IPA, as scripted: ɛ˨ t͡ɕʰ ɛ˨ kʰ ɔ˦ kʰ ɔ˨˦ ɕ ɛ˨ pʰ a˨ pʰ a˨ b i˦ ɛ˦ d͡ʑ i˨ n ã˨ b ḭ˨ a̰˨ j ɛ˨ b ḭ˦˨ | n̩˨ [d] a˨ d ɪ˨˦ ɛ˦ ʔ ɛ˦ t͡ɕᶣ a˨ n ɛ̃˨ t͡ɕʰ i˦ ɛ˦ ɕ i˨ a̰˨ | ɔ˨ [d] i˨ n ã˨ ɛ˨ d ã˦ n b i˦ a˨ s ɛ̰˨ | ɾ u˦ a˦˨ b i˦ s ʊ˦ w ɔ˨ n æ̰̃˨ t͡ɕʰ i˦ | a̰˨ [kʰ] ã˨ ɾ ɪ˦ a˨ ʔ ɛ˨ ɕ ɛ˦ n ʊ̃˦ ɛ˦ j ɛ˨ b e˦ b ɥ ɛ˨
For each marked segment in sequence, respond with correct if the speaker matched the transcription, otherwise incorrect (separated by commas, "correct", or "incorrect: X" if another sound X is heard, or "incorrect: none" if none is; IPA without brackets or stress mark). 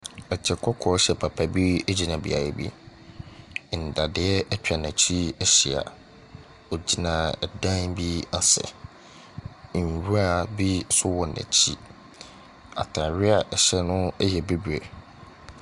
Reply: correct, incorrect: d͡ʑ, incorrect: tʰ